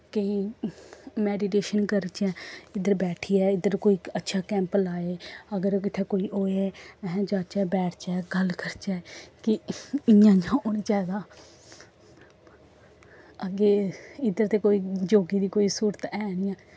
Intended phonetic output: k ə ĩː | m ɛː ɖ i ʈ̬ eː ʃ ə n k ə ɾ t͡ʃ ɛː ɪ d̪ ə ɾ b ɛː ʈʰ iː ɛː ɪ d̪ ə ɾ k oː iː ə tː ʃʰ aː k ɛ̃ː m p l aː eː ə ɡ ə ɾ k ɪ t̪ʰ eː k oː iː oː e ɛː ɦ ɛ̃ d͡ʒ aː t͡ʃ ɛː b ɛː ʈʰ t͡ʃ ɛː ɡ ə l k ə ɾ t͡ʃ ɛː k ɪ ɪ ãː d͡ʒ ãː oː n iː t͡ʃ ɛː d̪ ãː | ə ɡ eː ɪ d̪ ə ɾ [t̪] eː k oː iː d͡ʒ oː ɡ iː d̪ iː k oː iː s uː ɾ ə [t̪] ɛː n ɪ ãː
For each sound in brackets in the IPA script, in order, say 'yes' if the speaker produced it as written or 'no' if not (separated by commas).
yes, yes